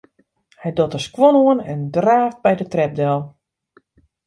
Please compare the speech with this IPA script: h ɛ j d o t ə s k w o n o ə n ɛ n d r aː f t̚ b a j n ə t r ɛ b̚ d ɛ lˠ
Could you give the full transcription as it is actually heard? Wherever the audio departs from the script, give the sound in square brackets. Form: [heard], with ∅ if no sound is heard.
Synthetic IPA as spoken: h ɛ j d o t ə s k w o n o ə n ɛ n d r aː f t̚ b [ɛ] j [d] ə t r ɛ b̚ d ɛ lˠ